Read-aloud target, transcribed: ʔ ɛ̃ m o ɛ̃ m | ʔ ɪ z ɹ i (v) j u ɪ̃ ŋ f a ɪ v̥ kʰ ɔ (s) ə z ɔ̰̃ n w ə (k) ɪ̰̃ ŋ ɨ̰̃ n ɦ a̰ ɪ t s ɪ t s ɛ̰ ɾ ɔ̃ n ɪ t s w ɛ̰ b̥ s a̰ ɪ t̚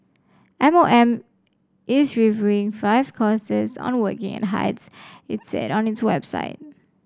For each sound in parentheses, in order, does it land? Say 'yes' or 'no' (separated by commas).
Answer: yes, yes, yes